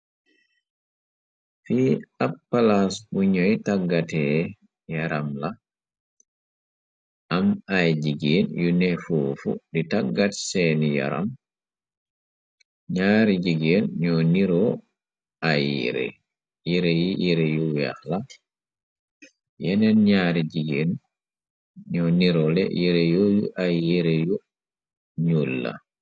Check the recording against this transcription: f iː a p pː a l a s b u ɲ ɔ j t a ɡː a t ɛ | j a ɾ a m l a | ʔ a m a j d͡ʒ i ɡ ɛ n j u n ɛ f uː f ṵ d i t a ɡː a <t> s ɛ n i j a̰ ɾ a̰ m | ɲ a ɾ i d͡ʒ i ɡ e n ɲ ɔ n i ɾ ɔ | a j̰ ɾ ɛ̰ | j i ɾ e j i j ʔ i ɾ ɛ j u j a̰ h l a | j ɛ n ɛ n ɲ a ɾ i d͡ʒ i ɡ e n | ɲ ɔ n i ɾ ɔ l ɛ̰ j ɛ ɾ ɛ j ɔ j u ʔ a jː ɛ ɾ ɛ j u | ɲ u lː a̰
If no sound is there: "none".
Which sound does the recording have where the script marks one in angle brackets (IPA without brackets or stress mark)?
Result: t